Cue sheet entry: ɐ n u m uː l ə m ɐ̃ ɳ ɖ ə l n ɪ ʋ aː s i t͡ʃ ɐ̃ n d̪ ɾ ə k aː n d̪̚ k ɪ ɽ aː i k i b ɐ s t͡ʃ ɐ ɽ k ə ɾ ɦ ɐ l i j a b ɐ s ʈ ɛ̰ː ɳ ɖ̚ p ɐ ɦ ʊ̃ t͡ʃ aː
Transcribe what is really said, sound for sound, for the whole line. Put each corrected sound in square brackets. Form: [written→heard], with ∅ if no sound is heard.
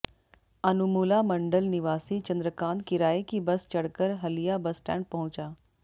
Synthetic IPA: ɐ n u m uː l [ə→a] m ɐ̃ ɳ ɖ ə l n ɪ ʋ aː s i t͡ʃ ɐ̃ n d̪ ɾ ə k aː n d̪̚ k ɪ [ɽ→ɾ] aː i k i b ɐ s t͡ʃ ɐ ɽ k ə ɾ ɦ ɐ l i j a b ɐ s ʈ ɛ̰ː ɳ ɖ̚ p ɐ ɦ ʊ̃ t͡ʃ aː